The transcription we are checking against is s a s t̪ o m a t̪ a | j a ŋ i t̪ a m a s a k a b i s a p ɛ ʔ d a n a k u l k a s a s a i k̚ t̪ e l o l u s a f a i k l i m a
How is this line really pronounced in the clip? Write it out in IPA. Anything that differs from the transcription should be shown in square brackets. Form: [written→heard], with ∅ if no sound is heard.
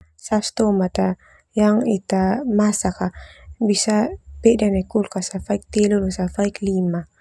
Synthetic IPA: s a s t̪ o m a t̪ a | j a ŋ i t̪ a m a s a k a b i s a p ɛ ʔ d a n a k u l k a s a [s→f] a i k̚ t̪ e l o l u s a f a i k l i m a